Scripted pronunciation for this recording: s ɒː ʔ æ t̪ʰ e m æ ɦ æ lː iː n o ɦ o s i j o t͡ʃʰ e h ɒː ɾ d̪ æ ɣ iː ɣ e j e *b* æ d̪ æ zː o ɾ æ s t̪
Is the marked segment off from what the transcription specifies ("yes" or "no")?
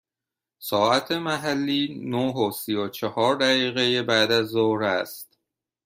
no